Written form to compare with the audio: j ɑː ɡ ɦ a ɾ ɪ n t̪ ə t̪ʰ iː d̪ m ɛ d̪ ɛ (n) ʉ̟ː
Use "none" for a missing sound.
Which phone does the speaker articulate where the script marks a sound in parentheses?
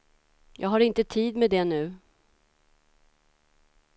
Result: n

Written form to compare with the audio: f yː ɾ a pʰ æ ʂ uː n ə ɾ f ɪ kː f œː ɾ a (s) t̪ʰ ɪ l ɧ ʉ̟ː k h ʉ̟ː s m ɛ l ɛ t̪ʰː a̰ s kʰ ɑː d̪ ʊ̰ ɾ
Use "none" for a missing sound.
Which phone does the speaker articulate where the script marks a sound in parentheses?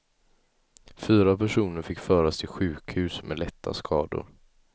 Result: s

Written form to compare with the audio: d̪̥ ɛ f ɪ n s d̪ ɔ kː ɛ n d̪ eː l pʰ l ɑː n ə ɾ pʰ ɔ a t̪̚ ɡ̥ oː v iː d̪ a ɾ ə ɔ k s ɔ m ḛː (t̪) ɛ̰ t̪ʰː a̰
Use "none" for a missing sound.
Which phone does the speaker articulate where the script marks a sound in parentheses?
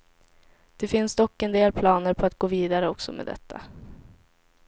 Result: d̪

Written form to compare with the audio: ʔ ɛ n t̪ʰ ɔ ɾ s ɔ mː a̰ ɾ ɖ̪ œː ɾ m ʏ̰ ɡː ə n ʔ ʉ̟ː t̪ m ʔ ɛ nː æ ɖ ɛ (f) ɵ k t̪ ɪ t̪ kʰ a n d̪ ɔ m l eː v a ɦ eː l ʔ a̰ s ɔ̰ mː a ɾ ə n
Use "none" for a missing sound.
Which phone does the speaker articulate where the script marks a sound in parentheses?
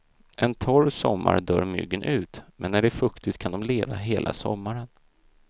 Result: f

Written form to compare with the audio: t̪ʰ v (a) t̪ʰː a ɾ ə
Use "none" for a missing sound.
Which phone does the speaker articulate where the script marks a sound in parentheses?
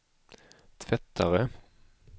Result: ɛ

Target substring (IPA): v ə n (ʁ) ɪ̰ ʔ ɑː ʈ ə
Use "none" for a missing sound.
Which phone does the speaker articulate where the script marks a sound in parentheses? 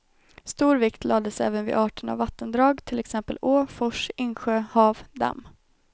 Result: v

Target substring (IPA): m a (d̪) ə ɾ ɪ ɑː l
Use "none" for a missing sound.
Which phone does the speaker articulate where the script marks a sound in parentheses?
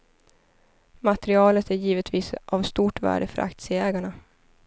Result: t̪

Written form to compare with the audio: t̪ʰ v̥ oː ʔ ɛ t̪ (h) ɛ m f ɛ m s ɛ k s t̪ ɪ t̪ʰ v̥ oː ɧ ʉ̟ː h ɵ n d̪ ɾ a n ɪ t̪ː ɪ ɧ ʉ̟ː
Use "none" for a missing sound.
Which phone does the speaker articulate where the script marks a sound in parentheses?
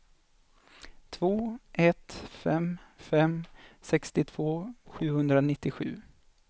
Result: f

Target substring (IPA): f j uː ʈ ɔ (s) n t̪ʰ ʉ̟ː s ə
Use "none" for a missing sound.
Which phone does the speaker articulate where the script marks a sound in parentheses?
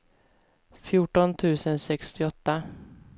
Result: none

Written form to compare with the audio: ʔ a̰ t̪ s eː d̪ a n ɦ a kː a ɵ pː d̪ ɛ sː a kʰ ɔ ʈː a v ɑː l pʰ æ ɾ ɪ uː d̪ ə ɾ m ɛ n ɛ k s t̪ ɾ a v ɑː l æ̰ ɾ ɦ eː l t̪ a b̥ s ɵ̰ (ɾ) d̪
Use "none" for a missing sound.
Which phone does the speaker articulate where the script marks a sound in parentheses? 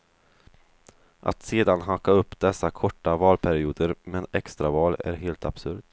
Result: ɾ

